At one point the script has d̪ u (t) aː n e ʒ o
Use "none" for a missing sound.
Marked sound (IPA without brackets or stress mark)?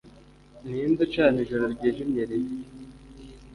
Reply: t͡ʃ